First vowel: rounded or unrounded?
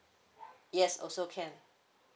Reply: unrounded